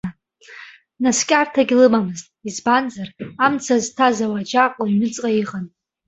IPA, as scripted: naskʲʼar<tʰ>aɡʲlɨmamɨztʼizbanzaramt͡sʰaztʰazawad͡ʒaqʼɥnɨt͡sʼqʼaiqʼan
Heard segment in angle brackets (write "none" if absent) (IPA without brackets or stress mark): tʰ